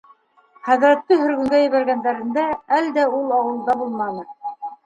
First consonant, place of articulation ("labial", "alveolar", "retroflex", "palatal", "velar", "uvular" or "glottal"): uvular